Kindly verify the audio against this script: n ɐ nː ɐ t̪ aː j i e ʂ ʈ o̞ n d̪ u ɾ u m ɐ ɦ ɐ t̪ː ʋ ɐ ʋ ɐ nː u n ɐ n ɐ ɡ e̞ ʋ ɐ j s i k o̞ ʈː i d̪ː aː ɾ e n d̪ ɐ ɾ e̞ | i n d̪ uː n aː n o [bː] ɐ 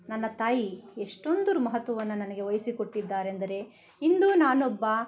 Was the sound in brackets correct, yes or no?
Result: yes